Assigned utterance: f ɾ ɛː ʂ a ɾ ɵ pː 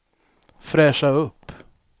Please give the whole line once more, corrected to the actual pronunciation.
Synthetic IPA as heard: f ɾ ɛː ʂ a ɵ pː

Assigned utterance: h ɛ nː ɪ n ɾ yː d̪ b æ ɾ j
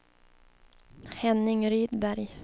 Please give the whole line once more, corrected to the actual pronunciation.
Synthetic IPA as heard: h ɛ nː ɪ ŋ ɾ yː d̪ b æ ɾ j

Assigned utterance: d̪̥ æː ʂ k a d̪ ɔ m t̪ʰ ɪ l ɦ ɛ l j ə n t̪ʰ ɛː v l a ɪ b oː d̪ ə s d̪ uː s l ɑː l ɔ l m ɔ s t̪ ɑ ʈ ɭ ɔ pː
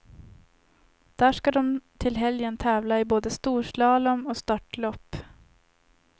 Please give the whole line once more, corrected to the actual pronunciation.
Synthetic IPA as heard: d̪̥ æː ʂ k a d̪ ɔ m t̪ʰ ɪ l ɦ ɛ l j ə n t̪ʰ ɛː v l a ɪ b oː d̪ ə s t̪ uː ʂ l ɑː l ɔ m ɔ s t̪ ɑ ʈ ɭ ɔ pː

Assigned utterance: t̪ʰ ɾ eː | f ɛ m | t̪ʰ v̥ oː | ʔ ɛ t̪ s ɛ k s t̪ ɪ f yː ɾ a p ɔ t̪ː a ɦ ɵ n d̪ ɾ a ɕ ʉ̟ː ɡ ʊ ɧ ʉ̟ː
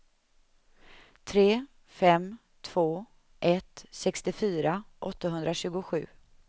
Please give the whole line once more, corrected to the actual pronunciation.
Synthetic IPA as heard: t̪ʰ ɾ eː | f ɛ m | t̪ʰ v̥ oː | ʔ ɛ t̪ s ɛ k s t̪ ɪ f yː ɾ a ʔ ɔ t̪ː a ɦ ɵ n d̪ ɾ a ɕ ʉ̟ː ɡ ʊ ɧ ʉ̟ː

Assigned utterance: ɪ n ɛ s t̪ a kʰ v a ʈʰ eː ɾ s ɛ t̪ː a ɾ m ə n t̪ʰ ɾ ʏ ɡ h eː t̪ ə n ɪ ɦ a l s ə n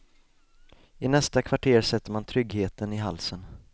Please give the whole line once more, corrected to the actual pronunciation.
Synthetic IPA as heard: ɪ n ɛ s t̪ a kʰ v a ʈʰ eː ɾ s ɛ t̪ː ə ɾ m a n t̪ʰ ɾ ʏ ɡ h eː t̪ ə n ɪ ɦ a l s ə n

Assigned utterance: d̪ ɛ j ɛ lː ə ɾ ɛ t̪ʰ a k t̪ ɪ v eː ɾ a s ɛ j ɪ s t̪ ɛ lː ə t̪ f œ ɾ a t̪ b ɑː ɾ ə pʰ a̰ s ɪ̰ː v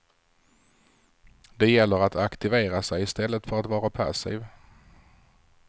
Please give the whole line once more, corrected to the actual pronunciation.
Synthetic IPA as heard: d̪ ɛ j ɛ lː ə ɾ a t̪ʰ a k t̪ ɪ v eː ɾ a s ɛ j ɪ s t̪ ɛ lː ə t̪ f œ ɾ a t̪ v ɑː ɾ a pʰ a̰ s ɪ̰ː v

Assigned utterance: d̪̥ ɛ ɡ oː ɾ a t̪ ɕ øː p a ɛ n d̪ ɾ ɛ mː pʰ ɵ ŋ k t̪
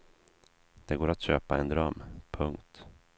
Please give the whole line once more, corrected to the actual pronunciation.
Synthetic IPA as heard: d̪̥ ɛ ɡ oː ɾ a t̪ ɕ øː p a ɛ n d̪ ɾ œ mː pʰ ɵ ŋ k t̪

